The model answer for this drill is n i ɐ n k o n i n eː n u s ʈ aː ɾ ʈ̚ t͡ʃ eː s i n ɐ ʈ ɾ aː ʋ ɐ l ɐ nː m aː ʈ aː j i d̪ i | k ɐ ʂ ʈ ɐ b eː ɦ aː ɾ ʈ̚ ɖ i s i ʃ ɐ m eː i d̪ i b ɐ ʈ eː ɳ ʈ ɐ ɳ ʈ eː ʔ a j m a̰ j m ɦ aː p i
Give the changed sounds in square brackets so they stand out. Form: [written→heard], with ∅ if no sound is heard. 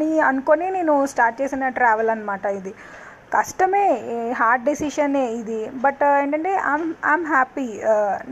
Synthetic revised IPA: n i ɐ n k o n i n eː n u s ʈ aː ɾ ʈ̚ t͡ʃ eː s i n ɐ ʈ ɾ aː ʋ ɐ l ɐ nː m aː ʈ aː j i d̪ i | k ɐ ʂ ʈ ɐ [b→m] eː ɦ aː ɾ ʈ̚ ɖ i s i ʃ ɐ [m→n] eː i d̪ i b ɐ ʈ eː ɳ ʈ ɐ ɳ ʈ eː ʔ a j m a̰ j m ɦ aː p i